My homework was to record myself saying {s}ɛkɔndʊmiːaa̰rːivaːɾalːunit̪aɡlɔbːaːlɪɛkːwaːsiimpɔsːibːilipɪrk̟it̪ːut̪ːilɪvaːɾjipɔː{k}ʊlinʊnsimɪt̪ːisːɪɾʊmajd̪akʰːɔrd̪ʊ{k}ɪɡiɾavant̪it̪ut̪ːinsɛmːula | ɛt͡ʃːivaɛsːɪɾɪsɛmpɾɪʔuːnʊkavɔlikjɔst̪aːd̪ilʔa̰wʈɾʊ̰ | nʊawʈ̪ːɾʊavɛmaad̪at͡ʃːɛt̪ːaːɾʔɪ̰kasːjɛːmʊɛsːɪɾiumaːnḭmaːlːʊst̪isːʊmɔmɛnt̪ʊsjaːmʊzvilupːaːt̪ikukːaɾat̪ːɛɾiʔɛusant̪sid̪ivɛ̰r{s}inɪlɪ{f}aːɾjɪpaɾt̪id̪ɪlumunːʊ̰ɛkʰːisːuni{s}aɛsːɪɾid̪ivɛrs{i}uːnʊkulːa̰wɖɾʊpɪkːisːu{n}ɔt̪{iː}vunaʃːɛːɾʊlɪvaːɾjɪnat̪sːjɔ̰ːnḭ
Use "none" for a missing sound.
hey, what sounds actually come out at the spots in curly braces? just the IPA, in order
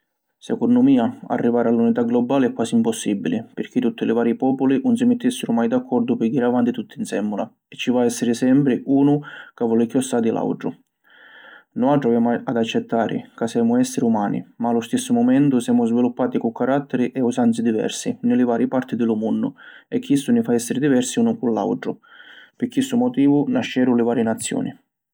s, p, p, s, v, f, i, m, iː

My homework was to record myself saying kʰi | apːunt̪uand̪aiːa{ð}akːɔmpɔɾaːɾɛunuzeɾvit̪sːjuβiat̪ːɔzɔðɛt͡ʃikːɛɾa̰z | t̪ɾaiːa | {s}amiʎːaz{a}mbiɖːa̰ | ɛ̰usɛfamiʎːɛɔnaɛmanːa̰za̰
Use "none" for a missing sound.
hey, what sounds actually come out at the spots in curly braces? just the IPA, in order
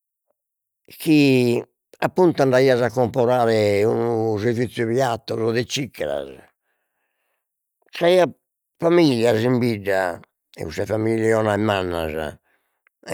z, f, i

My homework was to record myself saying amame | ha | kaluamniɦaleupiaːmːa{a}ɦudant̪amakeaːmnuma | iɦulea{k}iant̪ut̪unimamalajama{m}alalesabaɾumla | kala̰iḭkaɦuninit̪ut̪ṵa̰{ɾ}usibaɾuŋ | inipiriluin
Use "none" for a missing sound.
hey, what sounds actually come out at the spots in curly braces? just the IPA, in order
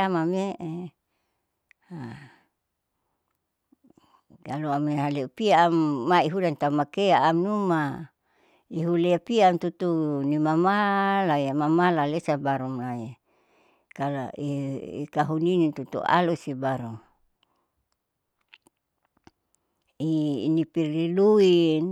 i, p, m, l

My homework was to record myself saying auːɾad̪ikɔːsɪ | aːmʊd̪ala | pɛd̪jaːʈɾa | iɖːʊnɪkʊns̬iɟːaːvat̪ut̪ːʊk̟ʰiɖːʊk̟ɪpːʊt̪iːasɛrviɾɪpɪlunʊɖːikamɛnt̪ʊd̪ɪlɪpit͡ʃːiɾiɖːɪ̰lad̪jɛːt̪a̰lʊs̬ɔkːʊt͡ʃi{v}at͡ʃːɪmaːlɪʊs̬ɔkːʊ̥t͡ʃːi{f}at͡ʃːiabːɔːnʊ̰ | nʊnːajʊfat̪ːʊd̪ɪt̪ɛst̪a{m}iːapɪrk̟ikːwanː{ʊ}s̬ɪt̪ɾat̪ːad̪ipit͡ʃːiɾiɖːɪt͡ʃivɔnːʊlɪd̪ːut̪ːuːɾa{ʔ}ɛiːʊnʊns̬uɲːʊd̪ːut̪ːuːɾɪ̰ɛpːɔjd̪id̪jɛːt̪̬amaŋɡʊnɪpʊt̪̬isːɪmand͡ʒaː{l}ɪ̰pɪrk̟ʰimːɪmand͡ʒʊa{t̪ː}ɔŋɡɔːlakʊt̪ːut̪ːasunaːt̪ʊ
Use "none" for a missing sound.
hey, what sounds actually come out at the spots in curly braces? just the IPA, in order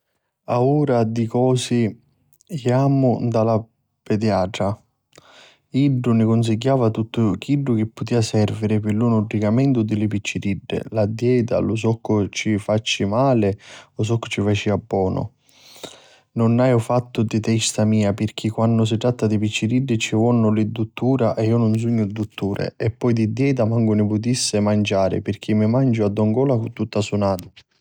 f, f, m, ʊ, ʔ, ɾ, d̪ː

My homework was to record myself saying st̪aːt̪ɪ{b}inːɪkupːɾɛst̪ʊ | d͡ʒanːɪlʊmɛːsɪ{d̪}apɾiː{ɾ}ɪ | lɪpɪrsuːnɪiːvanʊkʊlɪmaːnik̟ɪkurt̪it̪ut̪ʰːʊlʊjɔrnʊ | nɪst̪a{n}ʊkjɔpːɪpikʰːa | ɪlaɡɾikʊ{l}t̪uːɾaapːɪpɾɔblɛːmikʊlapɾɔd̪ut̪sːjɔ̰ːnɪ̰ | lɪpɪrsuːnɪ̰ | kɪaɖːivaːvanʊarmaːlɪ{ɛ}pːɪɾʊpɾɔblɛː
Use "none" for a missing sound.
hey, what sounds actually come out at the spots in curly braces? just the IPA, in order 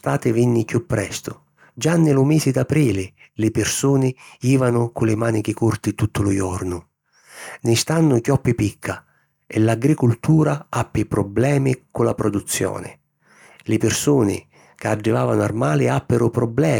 v, d̪, l, nː, l, a

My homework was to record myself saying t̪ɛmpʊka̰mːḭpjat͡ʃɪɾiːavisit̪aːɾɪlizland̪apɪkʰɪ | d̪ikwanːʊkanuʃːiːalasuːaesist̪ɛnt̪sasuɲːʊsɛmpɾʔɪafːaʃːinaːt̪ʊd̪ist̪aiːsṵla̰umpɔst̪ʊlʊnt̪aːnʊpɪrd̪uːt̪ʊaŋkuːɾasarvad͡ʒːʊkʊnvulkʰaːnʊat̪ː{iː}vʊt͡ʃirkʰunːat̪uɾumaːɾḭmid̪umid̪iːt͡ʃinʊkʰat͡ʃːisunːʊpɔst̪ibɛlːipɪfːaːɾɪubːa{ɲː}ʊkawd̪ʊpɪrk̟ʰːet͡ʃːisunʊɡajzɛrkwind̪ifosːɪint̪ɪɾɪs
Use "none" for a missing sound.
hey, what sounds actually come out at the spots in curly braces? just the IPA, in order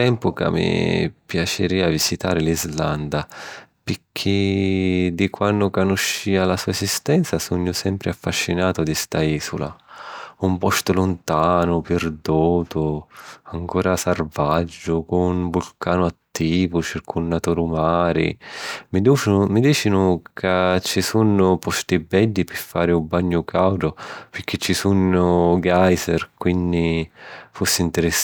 iː, ɲː

